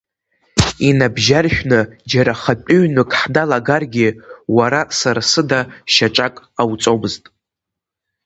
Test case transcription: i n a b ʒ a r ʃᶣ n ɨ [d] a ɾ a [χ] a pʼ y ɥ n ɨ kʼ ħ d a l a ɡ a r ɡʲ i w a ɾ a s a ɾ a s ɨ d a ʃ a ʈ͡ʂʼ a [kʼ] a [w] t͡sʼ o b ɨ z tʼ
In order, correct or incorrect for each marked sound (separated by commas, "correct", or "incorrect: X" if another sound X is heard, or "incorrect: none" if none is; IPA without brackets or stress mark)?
incorrect: d͡ʒ, correct, correct, correct